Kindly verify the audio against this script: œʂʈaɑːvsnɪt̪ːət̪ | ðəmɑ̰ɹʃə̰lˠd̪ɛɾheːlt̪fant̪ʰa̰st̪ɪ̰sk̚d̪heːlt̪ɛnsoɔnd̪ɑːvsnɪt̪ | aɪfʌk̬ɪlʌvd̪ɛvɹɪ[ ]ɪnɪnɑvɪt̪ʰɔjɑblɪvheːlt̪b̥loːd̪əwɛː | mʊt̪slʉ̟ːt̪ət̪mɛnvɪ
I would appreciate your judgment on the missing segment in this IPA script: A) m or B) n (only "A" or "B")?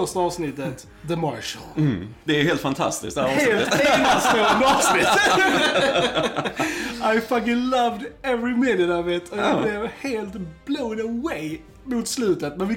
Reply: A